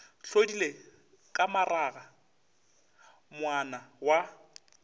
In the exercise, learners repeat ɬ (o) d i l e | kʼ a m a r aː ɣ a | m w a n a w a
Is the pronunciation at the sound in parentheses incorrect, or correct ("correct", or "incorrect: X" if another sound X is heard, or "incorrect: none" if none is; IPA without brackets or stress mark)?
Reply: correct